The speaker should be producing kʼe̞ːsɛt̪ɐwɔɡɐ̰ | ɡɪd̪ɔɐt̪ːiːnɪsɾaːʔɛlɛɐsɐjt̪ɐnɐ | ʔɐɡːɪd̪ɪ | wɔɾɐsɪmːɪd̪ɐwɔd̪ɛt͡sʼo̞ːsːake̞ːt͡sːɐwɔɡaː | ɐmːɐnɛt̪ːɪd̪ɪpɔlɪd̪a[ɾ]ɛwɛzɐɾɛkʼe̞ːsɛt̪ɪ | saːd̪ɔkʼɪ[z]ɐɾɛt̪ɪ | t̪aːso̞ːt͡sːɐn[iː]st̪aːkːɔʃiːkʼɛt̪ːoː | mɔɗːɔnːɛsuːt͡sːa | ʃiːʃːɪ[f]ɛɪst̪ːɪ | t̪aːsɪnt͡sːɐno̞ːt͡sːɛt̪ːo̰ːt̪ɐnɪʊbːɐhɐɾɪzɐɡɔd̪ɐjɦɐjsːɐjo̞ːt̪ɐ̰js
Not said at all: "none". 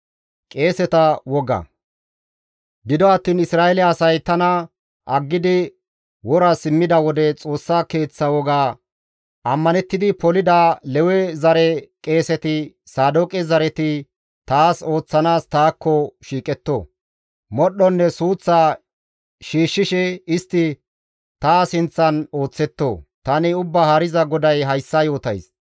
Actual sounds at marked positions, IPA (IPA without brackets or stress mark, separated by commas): l, z, aː, ʃ